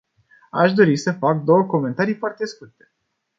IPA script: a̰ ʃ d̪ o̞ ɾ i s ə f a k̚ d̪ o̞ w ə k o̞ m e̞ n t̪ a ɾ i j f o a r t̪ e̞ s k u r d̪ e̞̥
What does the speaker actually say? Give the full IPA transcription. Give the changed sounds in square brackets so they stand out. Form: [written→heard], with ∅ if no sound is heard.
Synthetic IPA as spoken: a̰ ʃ d̪ o̞ ɾ i s ə f a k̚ d̪ o̞ w ə k o̞ m e̞ n t̪ a ɾ i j f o a r t̪ e̞ s k u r [d̪→t̪] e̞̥